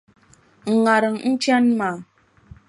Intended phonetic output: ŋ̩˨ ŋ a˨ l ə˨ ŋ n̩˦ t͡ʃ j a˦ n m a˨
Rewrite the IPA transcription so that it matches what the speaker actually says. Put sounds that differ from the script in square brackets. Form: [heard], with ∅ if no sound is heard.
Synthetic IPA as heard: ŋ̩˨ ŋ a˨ [ɾ] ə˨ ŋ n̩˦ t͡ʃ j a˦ n m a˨